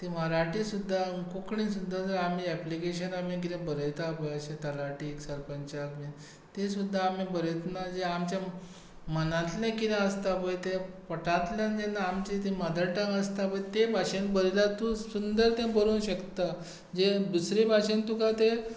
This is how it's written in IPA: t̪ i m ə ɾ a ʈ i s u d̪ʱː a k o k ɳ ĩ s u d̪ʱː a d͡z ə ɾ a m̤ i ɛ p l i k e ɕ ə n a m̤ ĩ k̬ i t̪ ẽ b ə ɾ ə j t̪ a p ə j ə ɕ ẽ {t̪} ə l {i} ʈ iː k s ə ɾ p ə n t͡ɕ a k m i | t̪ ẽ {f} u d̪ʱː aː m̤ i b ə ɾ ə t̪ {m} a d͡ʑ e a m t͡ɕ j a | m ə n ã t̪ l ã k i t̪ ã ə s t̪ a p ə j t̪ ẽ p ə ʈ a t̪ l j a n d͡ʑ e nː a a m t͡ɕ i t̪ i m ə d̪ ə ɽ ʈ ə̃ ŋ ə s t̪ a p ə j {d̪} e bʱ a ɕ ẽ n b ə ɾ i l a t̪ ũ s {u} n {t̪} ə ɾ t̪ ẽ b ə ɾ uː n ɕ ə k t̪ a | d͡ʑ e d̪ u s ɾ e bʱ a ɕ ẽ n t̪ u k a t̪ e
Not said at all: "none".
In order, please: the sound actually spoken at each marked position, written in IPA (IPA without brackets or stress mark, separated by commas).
t̪, a, s, n, t̪, u, d̪